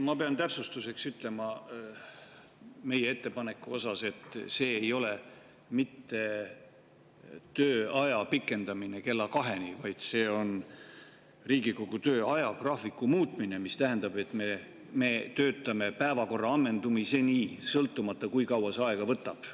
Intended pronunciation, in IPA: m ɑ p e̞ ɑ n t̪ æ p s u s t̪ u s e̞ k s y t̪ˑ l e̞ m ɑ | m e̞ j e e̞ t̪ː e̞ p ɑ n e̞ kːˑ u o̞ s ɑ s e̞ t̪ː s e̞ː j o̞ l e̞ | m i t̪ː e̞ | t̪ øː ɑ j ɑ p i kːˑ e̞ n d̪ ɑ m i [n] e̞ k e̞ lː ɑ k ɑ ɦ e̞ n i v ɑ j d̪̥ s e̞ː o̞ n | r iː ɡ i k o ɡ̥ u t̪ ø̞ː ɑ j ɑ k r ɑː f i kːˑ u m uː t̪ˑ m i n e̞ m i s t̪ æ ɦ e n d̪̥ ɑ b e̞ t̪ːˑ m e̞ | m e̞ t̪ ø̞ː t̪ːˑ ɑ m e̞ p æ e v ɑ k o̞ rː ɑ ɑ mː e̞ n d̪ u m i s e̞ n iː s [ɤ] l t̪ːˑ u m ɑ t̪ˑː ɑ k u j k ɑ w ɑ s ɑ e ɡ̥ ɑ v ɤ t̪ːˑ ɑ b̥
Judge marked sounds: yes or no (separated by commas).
yes, yes